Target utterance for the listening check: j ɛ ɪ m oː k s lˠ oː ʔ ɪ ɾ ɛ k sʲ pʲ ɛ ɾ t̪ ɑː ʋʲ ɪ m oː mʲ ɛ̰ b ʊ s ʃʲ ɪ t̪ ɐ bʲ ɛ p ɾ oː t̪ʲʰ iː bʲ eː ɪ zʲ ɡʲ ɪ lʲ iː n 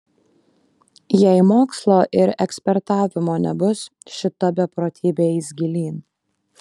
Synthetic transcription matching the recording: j ɛ ɪ m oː k s lˠ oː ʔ ɪ ɾ ɛ k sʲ pʲ ɛ ɾ t̪ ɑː ʋʲ ɪ m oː nʲ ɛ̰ b ʊ s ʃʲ ɪ t̪ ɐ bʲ ɛ p ɾ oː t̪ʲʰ iː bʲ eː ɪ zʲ ɡʲ ɪ lʲ iː n